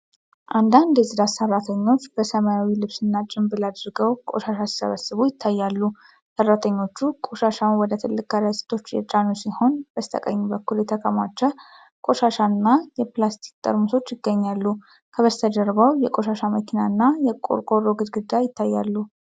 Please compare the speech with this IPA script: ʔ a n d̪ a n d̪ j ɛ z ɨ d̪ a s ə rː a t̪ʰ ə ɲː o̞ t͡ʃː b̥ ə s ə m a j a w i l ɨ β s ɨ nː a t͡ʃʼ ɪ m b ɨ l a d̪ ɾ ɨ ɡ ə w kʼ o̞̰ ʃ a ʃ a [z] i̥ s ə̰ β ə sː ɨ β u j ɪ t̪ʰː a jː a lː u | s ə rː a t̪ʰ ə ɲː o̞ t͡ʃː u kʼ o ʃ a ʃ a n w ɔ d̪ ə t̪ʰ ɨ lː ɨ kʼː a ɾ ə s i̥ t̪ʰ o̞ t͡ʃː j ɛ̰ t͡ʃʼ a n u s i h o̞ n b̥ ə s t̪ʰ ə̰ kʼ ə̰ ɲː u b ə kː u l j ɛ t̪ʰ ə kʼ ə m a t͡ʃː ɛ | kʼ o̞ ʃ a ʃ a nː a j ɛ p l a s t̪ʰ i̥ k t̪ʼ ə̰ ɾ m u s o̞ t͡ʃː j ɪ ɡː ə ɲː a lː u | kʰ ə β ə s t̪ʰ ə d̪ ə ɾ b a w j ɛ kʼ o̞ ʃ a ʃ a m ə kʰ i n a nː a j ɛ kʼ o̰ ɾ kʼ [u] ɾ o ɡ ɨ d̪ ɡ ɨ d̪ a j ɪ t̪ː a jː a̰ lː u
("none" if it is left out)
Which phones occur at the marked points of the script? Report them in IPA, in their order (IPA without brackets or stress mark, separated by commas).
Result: s, o